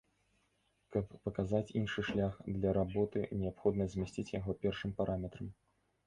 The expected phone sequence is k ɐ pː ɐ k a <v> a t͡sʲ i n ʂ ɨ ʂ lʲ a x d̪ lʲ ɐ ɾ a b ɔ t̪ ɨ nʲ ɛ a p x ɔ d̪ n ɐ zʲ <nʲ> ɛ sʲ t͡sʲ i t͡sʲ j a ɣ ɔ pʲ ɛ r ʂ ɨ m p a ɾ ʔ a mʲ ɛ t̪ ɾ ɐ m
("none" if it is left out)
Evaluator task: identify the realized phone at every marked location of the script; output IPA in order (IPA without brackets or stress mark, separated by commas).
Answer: z, mʲ